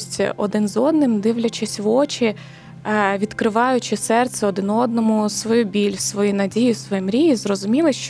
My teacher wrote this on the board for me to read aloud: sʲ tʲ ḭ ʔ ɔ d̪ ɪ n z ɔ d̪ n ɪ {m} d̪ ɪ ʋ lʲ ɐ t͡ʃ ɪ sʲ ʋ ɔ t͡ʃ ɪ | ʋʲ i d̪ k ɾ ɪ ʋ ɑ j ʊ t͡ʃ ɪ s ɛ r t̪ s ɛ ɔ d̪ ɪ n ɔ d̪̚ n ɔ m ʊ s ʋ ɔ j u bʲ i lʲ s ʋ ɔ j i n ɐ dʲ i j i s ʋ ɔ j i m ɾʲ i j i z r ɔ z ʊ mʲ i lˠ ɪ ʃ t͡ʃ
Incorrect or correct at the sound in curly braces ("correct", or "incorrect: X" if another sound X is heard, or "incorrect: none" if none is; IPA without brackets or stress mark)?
correct